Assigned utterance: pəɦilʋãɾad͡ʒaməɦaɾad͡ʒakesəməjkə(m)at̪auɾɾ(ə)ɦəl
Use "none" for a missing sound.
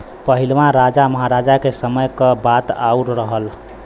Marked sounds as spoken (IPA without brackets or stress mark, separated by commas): b, ə